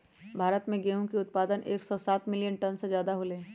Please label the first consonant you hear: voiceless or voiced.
voiced